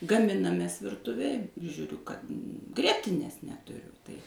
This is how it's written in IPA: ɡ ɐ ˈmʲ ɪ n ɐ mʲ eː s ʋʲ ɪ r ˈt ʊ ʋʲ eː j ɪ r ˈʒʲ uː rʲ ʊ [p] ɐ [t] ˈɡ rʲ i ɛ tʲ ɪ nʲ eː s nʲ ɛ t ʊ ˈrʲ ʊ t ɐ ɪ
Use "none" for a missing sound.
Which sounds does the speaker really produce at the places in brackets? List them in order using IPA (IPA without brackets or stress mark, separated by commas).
k, t